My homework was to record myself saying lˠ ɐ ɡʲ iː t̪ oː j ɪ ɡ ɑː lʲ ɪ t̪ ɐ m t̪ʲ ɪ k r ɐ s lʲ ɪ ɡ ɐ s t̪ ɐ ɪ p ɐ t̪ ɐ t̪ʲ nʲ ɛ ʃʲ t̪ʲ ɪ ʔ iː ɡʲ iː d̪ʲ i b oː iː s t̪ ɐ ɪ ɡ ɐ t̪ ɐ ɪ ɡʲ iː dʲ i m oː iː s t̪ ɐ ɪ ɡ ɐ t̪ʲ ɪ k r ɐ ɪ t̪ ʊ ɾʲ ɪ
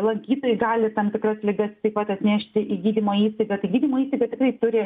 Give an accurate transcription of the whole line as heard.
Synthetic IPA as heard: lˠ ɐ ɡʲ iː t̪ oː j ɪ ɡ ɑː lʲ ɪ t̪ ɐ m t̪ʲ ɪ k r ɐ s lʲ ɪ ɡ ɐ s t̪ ɐ ɪ p ɐ t̪ ɐ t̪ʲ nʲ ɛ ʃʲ t̪ʲ ɪ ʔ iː ɡʲ iː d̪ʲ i m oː iː s t̪ ɐ ɪ ɡ ɐ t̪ ɐ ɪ ɡʲ iː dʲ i m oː iː s t̪ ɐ ɪ ɡ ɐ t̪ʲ ɪ k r ɐ ɪ t̪ ʊ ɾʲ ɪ